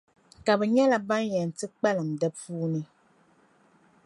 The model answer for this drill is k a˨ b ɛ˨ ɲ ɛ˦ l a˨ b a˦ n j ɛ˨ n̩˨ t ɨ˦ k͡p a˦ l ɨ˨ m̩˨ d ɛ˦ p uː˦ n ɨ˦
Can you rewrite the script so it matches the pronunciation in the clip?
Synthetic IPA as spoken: k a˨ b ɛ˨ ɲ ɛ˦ l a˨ b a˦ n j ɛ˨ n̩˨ t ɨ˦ k͡p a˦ l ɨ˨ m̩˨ d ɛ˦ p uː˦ n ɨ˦